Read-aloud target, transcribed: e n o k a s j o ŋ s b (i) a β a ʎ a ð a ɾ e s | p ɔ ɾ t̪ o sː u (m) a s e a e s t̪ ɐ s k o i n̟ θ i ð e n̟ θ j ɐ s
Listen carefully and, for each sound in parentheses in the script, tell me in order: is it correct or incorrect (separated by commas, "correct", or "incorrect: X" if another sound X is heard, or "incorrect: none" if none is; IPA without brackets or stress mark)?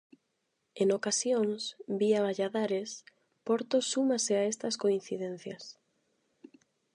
correct, correct